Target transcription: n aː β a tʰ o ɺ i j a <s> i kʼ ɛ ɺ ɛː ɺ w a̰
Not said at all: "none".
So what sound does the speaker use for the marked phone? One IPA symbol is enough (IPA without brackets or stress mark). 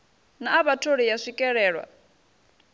ʂ